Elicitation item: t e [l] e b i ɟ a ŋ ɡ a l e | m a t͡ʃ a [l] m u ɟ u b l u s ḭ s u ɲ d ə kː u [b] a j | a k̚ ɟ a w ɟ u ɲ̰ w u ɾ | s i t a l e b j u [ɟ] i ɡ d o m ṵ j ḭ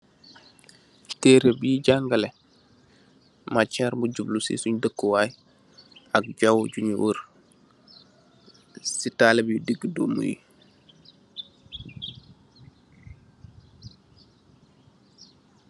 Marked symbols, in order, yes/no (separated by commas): no, no, no, no